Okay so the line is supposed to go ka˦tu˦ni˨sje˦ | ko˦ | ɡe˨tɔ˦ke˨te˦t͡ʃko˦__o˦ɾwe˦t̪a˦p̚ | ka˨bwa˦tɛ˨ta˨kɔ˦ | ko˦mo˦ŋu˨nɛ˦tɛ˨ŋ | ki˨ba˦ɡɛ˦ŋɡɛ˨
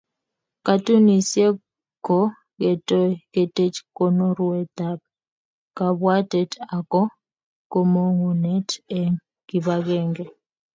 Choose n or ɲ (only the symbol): n